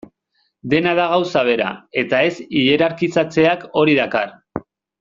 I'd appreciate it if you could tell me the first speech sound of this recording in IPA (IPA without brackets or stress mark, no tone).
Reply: d̪